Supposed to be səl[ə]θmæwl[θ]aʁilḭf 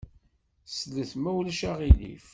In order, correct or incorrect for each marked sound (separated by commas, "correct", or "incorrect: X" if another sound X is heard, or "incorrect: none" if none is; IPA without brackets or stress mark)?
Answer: correct, incorrect: ʃ